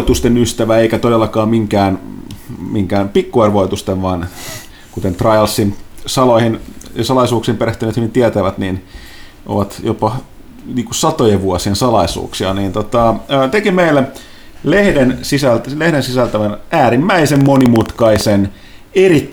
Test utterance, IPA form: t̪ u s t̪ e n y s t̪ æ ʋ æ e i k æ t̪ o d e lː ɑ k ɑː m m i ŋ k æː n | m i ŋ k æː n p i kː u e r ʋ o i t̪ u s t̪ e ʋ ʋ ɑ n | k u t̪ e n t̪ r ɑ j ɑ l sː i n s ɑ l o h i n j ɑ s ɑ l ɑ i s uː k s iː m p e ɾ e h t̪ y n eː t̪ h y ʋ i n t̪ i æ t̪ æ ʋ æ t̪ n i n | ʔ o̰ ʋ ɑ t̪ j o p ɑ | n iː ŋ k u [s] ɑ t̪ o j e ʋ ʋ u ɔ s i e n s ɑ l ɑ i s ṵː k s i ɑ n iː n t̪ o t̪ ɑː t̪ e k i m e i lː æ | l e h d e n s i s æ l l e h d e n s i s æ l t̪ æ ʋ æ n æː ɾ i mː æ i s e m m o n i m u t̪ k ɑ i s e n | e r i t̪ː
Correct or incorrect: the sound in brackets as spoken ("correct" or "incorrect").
correct